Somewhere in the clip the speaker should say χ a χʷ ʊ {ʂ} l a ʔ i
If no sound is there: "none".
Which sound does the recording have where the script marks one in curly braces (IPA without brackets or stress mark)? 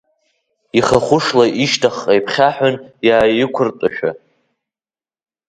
ʂ